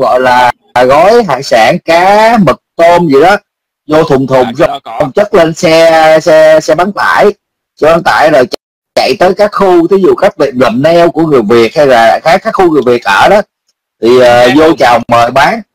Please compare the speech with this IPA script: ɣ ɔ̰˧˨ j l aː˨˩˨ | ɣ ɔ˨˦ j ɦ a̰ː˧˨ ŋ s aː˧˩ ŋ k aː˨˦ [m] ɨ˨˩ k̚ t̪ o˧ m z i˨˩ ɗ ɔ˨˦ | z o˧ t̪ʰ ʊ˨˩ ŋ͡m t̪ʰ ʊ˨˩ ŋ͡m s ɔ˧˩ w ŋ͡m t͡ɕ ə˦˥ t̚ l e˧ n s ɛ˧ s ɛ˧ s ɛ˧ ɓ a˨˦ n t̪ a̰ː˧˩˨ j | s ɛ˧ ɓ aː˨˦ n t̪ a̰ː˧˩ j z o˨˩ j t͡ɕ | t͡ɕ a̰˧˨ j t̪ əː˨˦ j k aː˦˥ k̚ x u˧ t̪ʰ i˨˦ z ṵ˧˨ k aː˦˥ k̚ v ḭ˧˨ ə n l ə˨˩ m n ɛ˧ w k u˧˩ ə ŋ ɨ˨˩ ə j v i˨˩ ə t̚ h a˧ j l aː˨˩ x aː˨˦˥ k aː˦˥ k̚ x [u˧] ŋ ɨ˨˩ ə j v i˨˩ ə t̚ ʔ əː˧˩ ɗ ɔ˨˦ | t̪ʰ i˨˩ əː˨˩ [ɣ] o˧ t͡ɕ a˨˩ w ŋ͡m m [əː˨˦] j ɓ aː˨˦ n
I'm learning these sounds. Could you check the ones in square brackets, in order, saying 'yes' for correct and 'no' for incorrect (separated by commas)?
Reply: yes, yes, no, no